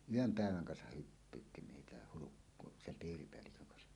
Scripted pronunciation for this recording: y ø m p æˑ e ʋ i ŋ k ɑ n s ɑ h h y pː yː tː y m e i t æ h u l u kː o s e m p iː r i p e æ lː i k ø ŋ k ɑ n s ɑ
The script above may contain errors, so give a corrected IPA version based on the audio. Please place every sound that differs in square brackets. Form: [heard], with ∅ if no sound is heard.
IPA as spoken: y ø m p æˑ e ʋ [æ] ŋ k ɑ n s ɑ h h y pː yː tː [i] m e i t æ h u l u kː o s e m p iː r i p e æ lː i k ø ŋ k ɑ n s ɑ